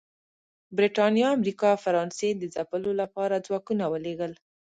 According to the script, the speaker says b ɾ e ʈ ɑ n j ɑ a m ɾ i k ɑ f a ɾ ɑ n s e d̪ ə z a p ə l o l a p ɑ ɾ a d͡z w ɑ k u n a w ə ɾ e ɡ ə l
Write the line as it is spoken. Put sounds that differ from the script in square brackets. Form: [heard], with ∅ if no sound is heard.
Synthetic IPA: b ɾ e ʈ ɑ n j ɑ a m ɾ i k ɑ f a ɾ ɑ n s e d̪ ə z a p ə l o l a p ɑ ɾ a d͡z w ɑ k u n a w ə [l] e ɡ ə l